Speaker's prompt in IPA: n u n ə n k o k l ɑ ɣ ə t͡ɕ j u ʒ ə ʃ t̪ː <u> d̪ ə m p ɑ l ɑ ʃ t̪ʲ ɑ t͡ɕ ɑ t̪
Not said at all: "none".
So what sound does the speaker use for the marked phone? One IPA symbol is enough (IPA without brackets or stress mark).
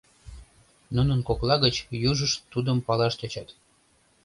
u